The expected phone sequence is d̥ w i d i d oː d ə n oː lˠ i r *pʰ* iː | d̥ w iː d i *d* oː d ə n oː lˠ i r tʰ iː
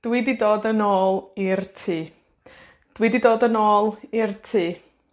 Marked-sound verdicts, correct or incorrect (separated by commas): incorrect, correct